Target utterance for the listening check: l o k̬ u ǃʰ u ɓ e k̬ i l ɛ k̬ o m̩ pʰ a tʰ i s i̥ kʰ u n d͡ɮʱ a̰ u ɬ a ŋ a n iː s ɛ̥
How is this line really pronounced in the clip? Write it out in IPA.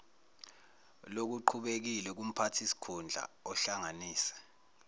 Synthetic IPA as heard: l o k̬ u ǃʰ u ɓ e k̬ i l ɛ k̬ u m̩ pʰ a tʰ i s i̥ kʰ u n d͡ɮʱ a̰ ɔ ɬ a ŋ a n iː s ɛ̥